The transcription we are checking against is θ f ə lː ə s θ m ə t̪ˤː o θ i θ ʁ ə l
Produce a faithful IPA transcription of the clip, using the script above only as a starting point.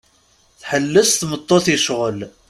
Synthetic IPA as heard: θ ħ ə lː ə s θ m ə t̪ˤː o θ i ʃ ʁ ə l